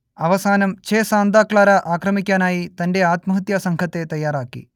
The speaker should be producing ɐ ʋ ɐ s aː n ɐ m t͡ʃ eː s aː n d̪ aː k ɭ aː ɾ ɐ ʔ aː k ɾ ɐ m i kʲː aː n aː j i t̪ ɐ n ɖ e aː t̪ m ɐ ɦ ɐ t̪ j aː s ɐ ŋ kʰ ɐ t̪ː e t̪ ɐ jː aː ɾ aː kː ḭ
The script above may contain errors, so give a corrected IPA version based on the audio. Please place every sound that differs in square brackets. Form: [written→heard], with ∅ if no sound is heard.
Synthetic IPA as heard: ɐ ʋ ɐ s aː n ɐ m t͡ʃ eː s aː n d̪ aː k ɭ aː ɾ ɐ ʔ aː k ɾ ɐ m i kʲː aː n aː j i t̪ ɐ n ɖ e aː t̪ m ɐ ɦ ɐ t̪ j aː s ɐ ŋ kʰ ɐ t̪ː e t̪ ɐ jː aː ɾ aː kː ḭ